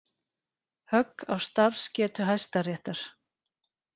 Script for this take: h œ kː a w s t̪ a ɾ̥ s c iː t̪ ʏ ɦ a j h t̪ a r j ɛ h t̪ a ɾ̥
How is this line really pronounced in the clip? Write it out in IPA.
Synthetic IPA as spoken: h œ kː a w s t̪ a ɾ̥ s c ɛː t̪ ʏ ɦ a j s t̪ a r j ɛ h t̪ a ɾ̥